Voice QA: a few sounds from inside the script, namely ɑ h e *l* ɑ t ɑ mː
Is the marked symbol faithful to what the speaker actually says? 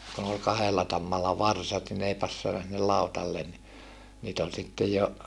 no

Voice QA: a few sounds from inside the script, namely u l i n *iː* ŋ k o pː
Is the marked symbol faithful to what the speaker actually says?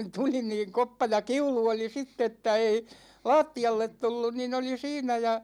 yes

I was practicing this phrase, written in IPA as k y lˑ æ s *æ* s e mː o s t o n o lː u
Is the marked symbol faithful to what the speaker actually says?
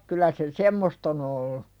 no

